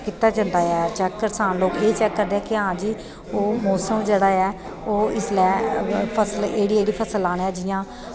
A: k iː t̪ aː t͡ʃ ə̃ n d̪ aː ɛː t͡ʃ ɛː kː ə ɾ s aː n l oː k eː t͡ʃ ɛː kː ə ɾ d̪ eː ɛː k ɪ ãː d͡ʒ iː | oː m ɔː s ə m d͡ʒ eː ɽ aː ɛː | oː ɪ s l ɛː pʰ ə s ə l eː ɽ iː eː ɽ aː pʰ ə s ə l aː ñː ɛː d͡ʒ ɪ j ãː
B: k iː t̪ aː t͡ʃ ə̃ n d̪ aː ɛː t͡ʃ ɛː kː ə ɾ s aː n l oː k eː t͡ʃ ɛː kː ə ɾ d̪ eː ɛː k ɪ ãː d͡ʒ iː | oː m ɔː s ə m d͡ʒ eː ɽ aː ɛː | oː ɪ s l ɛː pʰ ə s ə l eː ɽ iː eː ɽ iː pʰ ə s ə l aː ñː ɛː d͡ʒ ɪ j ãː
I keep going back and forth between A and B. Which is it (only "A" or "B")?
B